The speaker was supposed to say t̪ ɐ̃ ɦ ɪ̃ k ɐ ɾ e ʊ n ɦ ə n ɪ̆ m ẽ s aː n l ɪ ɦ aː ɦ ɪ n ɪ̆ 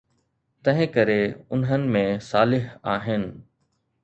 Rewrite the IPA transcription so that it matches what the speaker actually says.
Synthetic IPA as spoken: t̪ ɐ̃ ɦ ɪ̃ k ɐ ɾ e ʊ n ɦ ə n ɪ̆ m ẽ s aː l ɪ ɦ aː ɦ ɪ n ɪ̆